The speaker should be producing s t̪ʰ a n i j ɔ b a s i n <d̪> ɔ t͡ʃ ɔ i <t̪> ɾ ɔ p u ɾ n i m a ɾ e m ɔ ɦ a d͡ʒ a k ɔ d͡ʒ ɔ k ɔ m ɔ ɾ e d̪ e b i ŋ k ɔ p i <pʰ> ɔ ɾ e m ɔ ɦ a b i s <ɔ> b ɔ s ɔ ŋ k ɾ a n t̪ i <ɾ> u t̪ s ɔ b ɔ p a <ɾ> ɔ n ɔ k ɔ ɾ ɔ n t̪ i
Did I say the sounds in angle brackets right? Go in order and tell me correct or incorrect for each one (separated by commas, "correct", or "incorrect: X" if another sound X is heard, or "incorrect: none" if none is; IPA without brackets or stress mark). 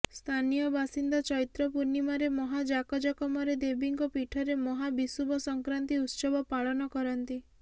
correct, correct, incorrect: ʈʰ, incorrect: u, incorrect: none, incorrect: ɭ